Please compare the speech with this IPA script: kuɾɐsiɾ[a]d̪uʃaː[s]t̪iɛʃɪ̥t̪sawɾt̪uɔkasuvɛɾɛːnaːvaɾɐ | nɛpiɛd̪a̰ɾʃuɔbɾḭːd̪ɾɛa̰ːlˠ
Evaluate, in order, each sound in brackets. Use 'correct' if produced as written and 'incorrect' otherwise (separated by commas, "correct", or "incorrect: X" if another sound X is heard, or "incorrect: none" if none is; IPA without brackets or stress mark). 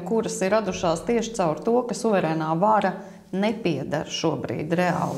correct, correct